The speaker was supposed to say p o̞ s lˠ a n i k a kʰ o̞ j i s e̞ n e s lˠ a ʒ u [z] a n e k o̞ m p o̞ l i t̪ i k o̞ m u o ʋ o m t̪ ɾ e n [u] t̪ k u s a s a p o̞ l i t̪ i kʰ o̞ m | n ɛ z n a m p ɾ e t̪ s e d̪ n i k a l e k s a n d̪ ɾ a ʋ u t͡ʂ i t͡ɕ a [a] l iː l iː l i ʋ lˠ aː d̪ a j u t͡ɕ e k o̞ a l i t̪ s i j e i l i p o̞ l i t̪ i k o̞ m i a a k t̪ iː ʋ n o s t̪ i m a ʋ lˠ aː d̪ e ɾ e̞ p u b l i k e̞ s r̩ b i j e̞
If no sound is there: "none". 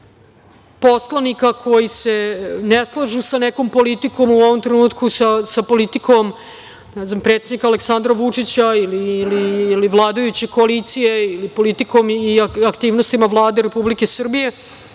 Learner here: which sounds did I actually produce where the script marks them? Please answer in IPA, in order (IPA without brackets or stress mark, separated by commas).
s, uː, i